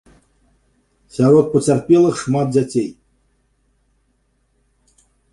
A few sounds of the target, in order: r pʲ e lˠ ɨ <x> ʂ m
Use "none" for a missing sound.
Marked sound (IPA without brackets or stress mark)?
x